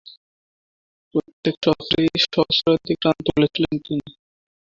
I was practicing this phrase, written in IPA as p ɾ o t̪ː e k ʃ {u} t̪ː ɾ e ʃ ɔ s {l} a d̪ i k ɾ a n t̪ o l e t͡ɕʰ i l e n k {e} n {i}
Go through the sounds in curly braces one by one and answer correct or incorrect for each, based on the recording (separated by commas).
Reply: incorrect, incorrect, incorrect, correct